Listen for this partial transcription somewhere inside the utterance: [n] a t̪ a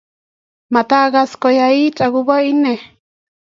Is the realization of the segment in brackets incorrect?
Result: yes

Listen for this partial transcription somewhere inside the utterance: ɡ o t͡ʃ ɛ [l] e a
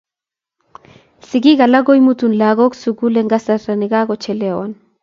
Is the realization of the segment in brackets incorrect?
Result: no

